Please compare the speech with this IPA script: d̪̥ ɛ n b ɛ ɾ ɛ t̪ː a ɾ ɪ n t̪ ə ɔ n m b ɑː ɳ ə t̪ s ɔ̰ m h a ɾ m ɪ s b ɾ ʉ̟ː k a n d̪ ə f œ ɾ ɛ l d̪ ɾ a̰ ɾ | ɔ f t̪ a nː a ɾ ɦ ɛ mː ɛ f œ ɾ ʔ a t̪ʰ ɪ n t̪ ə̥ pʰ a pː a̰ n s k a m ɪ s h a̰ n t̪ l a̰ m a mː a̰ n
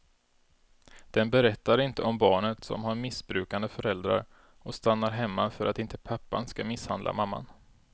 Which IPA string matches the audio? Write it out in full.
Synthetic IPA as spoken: d̪̥ ɛ n b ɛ ɾ ɛ t̪ː a ɾ ɪ n t̪ ə ɔ m b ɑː ɳ ə t̪ s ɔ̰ m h a ɾ m ɪ s b ɾ ʉ̟ː k a n d̪ ə f œ ɾ ɛ l d̪ ɾ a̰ ɾ | ɔ s t̪ a nː a ɾ ɦ ɛ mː a f œ ɾ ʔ a t̪ ɪ n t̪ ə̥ pʰ a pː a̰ n s k a m ɪ s h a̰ n d̪ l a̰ m a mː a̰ n